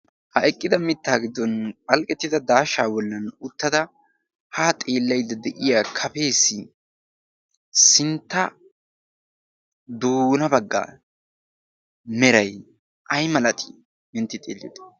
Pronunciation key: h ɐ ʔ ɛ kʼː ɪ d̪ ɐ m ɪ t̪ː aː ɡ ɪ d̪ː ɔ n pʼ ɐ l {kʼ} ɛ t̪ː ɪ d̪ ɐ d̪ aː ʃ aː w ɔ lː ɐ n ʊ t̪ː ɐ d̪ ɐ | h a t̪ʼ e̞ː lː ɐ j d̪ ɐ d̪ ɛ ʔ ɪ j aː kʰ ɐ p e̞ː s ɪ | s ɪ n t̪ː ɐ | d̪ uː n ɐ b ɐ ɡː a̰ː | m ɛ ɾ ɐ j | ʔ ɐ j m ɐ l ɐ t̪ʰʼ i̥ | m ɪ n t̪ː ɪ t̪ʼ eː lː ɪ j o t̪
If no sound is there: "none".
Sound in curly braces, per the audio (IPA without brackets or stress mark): kʼ